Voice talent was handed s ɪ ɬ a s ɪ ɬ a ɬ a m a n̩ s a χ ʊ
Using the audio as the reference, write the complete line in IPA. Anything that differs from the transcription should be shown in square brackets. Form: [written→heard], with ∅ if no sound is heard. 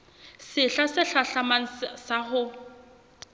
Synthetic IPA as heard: s ɪ ɬ a s ɪ ɬ a ɬ a m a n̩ s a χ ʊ